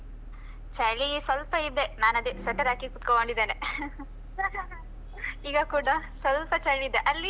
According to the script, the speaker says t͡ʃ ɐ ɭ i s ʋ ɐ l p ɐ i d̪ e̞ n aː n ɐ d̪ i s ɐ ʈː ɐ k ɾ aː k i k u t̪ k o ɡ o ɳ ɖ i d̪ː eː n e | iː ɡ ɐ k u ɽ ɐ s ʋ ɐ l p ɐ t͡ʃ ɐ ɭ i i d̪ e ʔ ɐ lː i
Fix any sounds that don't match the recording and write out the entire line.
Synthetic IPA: t͡ʃ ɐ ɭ i s ʋ ɐ l p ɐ i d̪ e̞ n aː n ɐ d̪ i s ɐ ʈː ɐ ɾ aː k i k u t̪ k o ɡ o ɳ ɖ i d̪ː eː n e | iː ɡ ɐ k uː ɽ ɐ s ʋ ɐ l p ɐ t͡ʃ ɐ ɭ i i d̪ e ʔ ɐ lː i